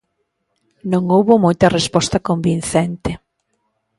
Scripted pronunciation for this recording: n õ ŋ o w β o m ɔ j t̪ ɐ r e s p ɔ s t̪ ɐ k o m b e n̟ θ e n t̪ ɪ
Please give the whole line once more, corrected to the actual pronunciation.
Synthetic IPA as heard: n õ ŋ o w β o m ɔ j t̪ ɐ r e s p ɔ s t̪ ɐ k o m b i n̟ θ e n t̪ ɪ